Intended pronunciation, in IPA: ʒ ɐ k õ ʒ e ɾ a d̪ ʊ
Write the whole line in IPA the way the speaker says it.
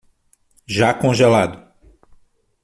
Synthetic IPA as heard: ʒ a k õ ʒ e l a d̪ ʊ